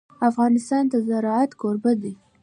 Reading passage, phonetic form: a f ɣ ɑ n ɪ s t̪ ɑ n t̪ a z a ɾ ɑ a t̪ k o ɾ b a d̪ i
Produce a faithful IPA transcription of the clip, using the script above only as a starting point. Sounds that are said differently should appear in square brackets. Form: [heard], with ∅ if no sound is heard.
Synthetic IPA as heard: a f ɣ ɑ n ɪ s t̪ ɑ n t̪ a z a ɾ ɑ a t̪ k o ɾ b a d̪ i